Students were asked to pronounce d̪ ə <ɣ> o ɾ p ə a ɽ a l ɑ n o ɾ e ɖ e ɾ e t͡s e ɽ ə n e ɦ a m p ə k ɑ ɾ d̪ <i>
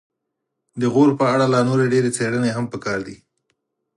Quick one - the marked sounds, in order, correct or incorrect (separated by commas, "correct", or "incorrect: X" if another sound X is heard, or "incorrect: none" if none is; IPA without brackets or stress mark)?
correct, correct